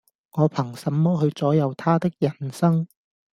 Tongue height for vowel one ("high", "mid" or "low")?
mid